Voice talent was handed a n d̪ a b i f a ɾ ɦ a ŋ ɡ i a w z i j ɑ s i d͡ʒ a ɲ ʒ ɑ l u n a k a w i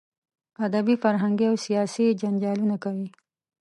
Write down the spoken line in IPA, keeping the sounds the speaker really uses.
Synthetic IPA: a d̪ a b i f a ɾ ɦ a ŋ ɡ i a w s i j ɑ s i d͡ʒ a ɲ d͡ʒ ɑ l u n a k a w i